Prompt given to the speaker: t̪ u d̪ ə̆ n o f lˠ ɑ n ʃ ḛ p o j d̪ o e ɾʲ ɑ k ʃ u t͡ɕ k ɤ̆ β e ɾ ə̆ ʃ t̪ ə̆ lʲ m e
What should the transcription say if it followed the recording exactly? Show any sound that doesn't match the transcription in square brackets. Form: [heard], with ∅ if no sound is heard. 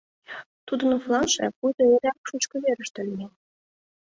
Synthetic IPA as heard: t̪ u d̪ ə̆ n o f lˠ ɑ n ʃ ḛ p [u] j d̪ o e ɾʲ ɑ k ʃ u t͡ɕ k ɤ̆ β e ɾ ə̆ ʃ t̪ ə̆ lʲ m e